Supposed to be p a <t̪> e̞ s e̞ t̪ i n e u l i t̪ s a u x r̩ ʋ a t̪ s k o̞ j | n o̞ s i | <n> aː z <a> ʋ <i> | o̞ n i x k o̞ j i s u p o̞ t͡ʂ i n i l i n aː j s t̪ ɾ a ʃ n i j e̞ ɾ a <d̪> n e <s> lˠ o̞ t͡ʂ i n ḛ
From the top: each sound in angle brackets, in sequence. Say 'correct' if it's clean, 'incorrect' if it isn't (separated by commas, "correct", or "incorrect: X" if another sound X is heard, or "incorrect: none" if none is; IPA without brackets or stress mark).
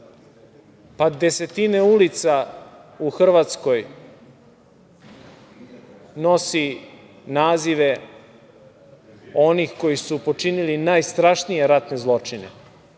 incorrect: d̪, correct, incorrect: i, incorrect: e, incorrect: t̪, incorrect: z